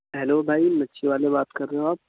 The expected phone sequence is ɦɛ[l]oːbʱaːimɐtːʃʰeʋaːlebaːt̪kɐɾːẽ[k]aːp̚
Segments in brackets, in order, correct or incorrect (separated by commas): correct, incorrect